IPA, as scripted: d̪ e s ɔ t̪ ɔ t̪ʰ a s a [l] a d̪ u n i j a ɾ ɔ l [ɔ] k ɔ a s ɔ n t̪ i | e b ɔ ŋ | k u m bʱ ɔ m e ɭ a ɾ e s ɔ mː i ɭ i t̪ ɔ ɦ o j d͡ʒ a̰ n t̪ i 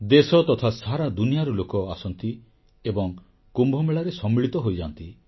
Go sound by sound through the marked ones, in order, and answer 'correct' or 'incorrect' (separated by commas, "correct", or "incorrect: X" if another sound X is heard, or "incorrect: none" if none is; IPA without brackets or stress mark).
incorrect: ɾ, incorrect: o